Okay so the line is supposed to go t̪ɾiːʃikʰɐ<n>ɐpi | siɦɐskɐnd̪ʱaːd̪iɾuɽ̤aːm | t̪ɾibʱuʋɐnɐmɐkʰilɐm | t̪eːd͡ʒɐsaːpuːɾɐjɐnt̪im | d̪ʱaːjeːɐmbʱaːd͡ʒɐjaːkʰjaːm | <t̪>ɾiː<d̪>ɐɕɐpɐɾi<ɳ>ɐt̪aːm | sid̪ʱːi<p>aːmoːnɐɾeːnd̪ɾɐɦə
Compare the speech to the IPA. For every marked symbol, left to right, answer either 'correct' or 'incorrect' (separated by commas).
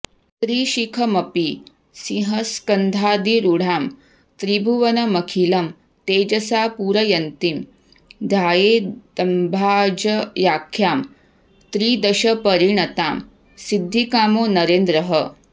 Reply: incorrect, correct, correct, correct, incorrect